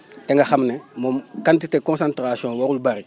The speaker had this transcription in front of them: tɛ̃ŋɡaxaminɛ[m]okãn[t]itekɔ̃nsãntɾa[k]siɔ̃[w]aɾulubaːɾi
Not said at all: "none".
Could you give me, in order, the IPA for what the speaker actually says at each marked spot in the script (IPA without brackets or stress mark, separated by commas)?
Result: m, t, none, w